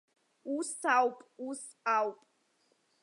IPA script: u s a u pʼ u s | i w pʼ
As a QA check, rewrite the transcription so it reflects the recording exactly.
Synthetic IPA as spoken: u s a w pʼ u s | a w pʼ